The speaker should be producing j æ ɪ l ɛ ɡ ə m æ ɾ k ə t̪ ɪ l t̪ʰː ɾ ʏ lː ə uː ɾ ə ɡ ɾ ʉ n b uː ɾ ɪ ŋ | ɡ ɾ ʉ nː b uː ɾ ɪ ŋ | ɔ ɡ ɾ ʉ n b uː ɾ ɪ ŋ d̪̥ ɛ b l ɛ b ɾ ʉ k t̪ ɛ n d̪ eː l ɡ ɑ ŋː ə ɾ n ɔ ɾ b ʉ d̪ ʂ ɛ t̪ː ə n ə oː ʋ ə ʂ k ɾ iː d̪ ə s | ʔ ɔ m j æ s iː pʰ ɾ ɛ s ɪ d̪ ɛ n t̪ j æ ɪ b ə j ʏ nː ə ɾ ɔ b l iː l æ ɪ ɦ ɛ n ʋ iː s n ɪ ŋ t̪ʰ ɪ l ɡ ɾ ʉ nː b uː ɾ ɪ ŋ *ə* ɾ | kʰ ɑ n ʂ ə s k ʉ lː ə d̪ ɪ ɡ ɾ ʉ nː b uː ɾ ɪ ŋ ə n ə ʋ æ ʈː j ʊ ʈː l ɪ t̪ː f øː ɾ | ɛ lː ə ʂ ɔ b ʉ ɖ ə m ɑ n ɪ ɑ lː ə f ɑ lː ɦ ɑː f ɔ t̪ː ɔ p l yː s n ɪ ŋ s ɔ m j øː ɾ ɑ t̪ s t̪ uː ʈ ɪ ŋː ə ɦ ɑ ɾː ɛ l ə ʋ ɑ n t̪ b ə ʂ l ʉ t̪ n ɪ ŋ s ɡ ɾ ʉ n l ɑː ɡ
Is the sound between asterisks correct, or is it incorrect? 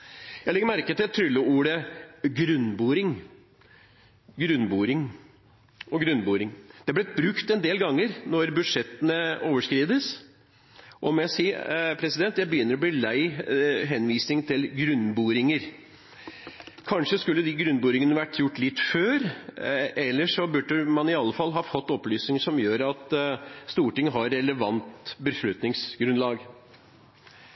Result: correct